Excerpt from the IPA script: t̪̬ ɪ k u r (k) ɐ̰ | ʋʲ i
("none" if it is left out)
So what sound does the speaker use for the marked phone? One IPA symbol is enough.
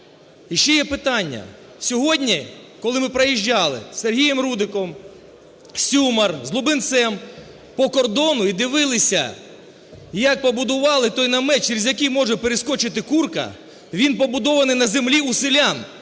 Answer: k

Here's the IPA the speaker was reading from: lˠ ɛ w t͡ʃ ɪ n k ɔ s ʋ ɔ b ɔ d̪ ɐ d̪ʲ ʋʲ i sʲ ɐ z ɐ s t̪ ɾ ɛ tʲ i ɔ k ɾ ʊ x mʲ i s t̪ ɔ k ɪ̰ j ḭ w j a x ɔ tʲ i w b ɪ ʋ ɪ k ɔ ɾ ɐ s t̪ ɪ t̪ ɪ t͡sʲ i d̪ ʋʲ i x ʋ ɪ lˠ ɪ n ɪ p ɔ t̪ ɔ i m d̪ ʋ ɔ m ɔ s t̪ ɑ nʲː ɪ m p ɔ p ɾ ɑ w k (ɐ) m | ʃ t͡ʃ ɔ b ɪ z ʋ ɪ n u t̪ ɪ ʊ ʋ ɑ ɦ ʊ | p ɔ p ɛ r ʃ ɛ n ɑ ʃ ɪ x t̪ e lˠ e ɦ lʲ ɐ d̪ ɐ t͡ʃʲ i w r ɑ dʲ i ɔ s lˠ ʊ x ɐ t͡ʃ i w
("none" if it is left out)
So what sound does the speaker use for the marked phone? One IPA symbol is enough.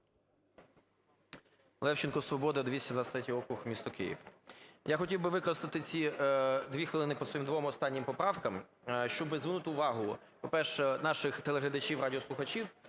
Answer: ɐ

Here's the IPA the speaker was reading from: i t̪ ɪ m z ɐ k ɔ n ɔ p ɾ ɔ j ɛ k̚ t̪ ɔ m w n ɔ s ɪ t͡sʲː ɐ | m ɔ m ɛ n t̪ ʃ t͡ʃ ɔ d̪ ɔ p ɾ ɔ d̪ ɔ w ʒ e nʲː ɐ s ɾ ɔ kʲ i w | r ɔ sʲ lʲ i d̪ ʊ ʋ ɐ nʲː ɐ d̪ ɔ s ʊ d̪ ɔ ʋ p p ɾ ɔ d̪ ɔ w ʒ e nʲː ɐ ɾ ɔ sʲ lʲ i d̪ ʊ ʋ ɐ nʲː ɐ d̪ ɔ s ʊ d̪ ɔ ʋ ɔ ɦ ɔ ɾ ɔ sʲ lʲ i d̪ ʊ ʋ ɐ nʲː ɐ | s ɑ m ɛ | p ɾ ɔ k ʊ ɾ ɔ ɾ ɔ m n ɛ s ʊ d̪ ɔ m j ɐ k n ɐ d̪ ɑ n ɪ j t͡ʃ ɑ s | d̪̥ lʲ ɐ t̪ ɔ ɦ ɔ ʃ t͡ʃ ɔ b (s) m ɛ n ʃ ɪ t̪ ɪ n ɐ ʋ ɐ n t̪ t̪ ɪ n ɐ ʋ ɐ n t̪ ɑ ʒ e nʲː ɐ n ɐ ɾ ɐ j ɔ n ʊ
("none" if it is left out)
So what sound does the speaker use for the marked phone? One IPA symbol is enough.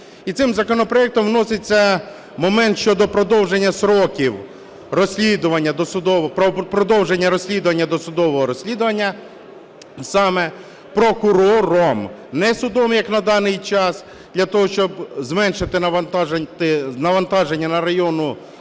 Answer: z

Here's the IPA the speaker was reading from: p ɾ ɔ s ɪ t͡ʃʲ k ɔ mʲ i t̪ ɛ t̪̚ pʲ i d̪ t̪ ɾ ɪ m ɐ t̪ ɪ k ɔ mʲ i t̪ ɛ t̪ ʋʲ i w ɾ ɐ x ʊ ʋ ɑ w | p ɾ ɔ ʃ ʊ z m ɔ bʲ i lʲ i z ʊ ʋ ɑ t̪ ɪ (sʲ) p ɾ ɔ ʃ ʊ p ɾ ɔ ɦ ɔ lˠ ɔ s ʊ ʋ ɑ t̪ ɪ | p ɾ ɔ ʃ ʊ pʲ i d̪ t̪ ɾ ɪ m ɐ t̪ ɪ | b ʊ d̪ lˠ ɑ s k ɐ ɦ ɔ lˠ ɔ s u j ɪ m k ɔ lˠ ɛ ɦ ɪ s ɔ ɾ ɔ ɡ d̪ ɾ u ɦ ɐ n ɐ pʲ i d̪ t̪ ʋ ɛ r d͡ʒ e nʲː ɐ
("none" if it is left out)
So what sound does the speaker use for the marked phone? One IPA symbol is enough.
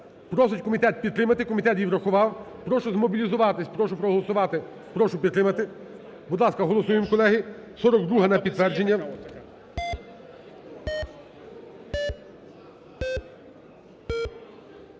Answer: sʲ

